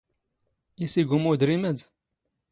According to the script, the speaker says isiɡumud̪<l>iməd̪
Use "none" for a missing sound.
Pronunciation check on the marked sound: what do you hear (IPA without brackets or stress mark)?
ɾ